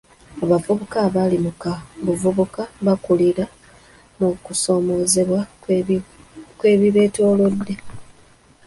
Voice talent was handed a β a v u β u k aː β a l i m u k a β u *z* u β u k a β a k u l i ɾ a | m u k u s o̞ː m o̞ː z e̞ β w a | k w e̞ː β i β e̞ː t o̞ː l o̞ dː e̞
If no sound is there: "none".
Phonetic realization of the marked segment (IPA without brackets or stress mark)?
v